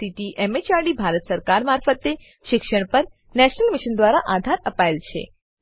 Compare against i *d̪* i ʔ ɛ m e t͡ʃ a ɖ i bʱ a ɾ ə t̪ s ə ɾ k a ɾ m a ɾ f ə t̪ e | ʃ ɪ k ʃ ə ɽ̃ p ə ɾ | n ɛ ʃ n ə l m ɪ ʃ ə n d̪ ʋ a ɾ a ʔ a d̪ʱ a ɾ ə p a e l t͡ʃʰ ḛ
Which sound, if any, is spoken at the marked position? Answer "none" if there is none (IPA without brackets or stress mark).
t̪